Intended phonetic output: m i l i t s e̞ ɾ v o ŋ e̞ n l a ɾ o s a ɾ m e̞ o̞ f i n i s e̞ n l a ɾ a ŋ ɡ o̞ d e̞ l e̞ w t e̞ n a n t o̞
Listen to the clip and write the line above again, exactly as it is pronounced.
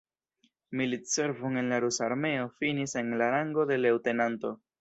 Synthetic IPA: m i l i t s e̞ ɾ v o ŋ e̞ n l a ɾ u s a ɾ m e̞ o̞ f i n i s e̞ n l a ɾ a ŋ ɡ o̞ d e̞ l e̞ w t e̞ n a n t o̞